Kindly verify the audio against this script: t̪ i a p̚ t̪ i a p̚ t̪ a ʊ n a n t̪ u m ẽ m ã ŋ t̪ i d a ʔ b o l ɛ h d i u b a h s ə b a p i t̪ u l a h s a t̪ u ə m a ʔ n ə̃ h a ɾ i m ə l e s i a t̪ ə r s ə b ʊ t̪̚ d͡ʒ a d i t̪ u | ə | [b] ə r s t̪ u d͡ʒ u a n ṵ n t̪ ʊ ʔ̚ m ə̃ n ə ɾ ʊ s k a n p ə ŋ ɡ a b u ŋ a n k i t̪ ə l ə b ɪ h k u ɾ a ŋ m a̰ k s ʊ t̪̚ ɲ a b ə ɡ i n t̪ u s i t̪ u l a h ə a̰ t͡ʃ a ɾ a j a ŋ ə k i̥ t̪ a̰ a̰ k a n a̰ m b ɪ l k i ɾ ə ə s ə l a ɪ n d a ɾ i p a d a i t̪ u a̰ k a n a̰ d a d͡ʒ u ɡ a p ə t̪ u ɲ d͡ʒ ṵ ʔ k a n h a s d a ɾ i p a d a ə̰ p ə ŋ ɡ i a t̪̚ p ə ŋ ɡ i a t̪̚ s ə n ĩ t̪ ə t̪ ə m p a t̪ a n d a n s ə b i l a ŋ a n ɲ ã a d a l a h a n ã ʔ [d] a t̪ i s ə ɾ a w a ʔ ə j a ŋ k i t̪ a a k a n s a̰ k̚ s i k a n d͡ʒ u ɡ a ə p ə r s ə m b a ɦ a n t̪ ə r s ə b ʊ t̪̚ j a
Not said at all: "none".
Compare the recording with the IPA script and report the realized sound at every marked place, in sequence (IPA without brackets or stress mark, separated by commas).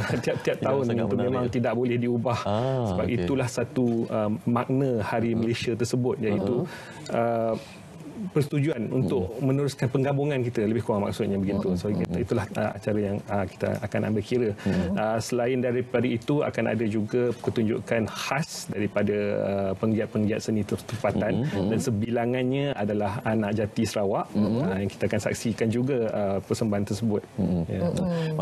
p, d͡ʒ